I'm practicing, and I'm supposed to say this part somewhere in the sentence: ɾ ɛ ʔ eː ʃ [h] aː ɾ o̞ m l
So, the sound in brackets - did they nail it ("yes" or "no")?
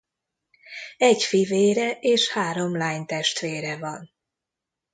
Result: yes